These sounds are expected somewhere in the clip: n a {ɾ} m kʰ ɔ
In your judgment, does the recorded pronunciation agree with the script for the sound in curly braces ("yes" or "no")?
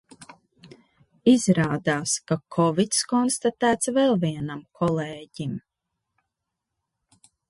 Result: no